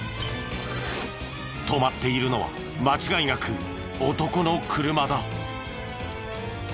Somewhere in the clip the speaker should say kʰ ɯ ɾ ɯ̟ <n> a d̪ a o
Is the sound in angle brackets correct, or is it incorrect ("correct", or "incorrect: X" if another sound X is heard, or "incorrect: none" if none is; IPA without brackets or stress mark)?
incorrect: m